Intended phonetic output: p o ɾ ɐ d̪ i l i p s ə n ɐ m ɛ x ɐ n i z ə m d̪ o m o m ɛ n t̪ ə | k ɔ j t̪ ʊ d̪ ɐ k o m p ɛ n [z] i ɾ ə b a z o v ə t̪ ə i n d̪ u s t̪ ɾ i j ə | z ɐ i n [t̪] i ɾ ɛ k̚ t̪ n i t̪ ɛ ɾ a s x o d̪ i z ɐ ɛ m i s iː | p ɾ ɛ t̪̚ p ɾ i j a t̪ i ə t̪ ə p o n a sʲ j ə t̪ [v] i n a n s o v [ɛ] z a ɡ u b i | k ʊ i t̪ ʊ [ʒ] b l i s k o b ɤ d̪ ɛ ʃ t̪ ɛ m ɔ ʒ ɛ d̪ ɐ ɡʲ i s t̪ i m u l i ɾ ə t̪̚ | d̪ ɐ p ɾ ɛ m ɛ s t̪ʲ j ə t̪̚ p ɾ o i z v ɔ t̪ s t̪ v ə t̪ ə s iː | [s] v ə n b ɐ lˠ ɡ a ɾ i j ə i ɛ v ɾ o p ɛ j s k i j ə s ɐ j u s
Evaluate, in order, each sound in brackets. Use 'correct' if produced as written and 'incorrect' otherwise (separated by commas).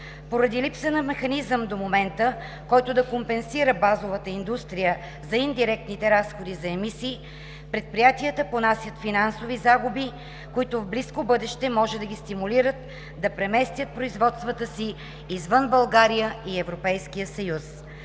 incorrect, incorrect, incorrect, incorrect, incorrect, incorrect